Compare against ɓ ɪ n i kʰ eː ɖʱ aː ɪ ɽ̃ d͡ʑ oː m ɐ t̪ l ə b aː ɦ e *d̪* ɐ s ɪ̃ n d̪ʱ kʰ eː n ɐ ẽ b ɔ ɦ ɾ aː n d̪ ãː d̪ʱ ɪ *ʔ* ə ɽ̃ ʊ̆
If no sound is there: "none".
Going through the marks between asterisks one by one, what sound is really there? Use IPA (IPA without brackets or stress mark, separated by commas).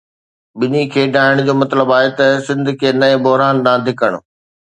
t̪, k